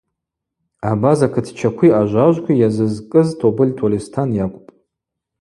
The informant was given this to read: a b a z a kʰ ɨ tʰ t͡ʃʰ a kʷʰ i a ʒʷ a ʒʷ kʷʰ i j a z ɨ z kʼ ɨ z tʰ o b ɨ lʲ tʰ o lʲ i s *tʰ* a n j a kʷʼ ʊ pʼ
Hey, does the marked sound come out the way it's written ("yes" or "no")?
yes